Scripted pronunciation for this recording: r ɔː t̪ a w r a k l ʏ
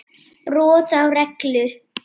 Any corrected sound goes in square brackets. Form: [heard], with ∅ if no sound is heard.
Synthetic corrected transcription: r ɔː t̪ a w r [ɛ] k l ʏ

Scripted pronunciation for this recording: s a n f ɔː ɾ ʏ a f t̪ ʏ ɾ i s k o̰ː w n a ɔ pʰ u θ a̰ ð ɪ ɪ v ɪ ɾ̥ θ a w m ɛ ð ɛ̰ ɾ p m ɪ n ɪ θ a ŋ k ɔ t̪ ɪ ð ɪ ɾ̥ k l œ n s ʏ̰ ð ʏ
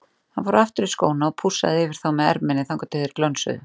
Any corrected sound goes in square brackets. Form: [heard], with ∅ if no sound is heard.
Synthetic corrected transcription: [h] a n f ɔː ɾ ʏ a f t̪ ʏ ɾ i s k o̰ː w n a ɔ pʰ u [s] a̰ ð ɪ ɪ v ɪ ɾ̥ θ a w m ɛ ð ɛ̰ ɾ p m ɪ n ɪ θ a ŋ k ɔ t̪ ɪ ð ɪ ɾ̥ k l œ n s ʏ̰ ð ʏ

